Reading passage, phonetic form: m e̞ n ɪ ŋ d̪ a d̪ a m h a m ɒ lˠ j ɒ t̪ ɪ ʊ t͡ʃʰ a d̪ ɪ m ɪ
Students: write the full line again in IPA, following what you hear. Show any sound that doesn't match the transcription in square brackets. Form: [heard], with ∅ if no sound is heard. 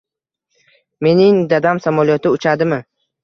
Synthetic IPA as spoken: m e̞ n ɪ ŋ d̪ a d̪ a m [s] a m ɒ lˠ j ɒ t̪ ɪ ʊ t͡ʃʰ a d̪ ɪ m ɪ